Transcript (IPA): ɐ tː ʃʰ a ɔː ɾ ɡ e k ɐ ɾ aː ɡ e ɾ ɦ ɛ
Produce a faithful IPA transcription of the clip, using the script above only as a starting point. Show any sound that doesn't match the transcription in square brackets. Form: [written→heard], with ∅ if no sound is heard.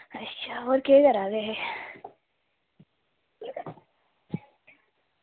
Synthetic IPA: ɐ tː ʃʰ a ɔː ɾ [ɡ→k] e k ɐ ɾ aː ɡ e [ɾ→∅] ɦ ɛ